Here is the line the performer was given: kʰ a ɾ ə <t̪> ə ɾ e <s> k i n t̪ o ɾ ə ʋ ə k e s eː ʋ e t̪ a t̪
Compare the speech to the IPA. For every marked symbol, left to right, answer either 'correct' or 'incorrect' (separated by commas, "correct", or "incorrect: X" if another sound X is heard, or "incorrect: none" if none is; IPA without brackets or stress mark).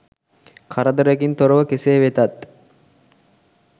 incorrect: d̪, incorrect: none